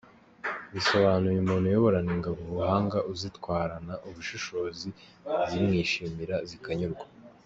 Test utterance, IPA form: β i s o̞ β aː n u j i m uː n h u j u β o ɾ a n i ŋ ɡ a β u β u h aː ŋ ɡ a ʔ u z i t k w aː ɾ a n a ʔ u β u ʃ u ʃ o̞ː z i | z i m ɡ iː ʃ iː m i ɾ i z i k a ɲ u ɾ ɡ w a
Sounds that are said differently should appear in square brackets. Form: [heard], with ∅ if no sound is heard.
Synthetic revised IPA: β i s o̞ β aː n u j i m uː n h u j [o] β o ɾ a n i ŋ ɡ a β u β u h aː ŋ ɡ a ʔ u z i t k w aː ɾ a n a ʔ u β u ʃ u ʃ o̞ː z i | z i m [ŋ] iː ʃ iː m i ɾ [a] z i k a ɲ u ɾ ɡ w a